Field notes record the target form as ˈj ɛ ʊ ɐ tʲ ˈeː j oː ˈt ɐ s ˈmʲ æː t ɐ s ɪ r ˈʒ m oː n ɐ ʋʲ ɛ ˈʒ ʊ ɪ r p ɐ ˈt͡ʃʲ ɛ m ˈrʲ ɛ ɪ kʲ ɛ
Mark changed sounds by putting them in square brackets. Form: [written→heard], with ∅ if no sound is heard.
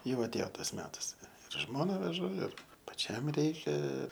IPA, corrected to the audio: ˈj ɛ ʊ ɐ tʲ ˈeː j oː ˈt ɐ s ˈmʲ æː t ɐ s ɪ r ˈʒ m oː n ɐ ʋʲ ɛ ˈʒ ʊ ɪ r p ɐ ˈt͡ʃʲ ɛ m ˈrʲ ɛ ɪ kʲ ɛ